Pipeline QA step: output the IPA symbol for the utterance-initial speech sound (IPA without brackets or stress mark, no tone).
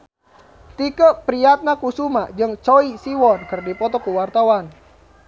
t̪